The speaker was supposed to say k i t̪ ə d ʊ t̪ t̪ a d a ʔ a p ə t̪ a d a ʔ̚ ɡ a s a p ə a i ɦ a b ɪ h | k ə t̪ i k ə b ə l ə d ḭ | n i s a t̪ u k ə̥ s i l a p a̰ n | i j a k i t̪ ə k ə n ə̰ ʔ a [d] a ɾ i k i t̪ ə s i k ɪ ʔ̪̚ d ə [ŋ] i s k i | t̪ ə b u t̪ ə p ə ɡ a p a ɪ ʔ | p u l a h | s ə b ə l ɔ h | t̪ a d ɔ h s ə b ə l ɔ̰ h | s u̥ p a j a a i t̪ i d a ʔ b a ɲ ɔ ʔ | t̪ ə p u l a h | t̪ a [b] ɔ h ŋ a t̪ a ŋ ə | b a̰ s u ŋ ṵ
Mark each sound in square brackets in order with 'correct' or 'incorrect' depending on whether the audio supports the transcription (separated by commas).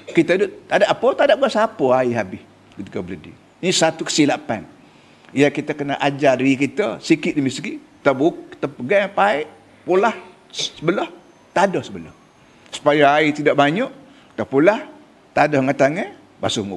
incorrect, incorrect, incorrect